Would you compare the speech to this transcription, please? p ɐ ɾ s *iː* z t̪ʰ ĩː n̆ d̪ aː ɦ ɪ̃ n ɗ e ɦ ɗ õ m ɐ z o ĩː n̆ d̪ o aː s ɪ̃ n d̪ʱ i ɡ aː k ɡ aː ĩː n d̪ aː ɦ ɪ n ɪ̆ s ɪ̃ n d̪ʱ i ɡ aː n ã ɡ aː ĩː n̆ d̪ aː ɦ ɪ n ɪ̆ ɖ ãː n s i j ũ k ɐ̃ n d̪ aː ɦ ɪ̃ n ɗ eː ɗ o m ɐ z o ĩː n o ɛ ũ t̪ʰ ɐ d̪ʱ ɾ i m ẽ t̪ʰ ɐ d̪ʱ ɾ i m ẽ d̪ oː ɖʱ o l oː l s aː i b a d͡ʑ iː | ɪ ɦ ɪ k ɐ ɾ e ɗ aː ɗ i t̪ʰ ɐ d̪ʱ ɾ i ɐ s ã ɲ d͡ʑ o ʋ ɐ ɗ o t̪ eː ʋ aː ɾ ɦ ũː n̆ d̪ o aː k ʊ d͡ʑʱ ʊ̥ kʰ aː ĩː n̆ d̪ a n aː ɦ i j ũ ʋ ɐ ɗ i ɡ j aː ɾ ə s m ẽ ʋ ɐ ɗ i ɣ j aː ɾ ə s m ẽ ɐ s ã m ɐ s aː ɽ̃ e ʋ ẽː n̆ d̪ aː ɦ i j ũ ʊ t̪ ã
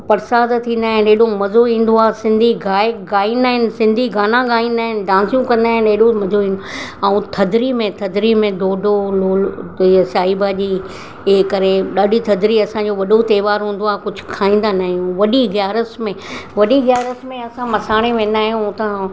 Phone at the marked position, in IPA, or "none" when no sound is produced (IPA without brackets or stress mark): aː